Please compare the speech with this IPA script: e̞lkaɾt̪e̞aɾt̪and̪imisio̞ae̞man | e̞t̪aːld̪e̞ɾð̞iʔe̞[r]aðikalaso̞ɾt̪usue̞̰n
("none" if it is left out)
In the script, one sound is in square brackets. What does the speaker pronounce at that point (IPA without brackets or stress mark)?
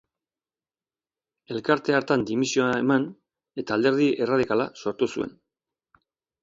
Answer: r